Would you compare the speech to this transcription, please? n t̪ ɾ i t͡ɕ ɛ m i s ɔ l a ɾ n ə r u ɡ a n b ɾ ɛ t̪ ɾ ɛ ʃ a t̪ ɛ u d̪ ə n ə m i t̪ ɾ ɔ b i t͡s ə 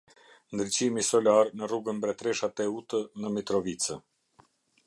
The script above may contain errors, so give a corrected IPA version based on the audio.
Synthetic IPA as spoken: n d̪ ɾ i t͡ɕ i m i s ɔ l a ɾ n ə r u ɡ ə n b ɾ ɛ t̪ ɾ ɛ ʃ a t̪ ɛ u t̪ ə n ə m i t̪ ɾ ɔ v i t͡s ə